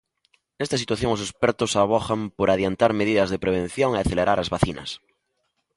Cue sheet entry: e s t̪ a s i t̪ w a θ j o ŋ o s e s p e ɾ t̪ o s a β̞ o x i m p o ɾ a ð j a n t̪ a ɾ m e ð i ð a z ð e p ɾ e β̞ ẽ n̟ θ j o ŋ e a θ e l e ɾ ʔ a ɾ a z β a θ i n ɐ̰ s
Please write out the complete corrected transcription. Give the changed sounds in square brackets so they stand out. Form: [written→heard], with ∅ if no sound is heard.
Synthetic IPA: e s t̪ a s i t̪ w a θ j o ŋ o s e s p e ɾ t̪ o s a β̞ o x [i→a] m p o ɾ a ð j a n t̪ a ɾ m e ð i ð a z ð e p ɾ e β̞ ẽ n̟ θ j o ŋ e a θ e l e ɾ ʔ a ɾ a z β a θ i n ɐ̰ s